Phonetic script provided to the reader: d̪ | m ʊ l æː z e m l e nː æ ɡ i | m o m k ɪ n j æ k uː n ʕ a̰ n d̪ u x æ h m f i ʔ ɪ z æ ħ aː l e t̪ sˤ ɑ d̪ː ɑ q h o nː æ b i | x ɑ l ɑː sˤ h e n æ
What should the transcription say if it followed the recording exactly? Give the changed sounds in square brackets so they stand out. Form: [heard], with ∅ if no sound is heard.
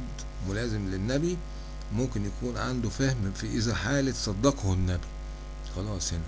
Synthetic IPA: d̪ | m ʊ l æː z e m l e nː æ [b] i | m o m k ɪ n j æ k uː n ʕ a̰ n d̪ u [f] æ h m f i ʔ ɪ z æ ħ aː l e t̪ sˤ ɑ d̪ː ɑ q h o nː æ b i | x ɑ l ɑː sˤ h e n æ